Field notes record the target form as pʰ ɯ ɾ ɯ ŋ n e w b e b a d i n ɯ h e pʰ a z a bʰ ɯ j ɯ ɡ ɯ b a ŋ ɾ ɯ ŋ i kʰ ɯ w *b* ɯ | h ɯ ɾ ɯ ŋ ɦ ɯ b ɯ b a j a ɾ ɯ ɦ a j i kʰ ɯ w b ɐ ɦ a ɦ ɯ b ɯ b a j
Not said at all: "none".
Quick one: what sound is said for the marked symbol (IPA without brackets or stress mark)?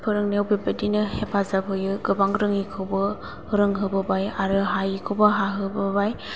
b